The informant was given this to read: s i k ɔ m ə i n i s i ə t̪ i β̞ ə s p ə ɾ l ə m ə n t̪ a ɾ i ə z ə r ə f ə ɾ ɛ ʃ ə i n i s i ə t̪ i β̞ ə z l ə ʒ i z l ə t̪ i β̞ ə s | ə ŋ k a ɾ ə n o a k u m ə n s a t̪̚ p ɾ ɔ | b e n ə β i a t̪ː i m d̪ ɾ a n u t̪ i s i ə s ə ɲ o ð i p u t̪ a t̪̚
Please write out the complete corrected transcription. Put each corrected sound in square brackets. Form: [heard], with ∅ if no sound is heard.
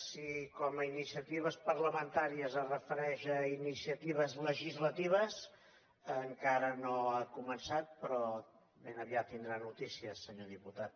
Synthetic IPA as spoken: s i k ɔ m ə i n i s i ə t̪ i β̞ ə s p ə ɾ l ə m ə n t̪ a ɾ i ə z ə r ə f ə ɾ ɛ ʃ ə i n i s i ə t̪ i β̞ ə z l ə ʒ i z l ə t̪ i β̞ ə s | ə ŋ k a ɾ ə n o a k u m ə n s a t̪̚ p ɾ ɔ | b e n ə β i a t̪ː i [n] d̪ ɾ a n u t̪ i s i ə s ə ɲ o ð i p u t̪ a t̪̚